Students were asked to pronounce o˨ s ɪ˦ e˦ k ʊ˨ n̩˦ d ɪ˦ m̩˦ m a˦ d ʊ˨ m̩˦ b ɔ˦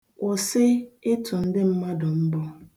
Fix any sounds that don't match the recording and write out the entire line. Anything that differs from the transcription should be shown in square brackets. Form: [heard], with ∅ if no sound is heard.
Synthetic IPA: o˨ s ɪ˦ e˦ [t] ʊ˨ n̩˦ d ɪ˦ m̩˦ m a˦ d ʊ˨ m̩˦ b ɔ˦